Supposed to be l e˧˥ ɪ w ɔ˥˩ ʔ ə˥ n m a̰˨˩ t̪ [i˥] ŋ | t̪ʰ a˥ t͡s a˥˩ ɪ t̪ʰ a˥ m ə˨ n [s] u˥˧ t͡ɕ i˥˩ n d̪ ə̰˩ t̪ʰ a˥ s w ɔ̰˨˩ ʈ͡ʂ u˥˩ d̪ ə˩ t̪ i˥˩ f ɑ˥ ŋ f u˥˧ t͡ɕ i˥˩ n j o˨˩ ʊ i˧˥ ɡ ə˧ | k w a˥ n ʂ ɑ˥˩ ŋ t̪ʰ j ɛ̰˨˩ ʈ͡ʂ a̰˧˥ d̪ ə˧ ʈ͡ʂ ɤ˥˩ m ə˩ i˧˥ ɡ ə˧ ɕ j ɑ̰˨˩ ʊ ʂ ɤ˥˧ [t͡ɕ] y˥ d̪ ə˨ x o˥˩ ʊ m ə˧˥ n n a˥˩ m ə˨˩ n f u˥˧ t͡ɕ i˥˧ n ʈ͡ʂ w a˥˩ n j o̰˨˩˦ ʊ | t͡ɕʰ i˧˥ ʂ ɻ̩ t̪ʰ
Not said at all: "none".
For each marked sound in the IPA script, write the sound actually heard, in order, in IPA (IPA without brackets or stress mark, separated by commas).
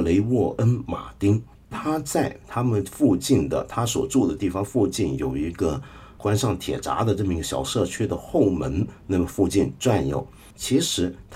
i˥, f, t͡ɕʰ